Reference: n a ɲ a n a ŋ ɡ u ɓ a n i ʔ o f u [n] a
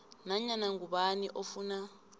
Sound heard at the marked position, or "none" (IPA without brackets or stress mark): n